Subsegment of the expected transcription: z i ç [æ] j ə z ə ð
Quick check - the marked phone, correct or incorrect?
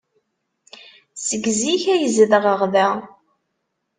correct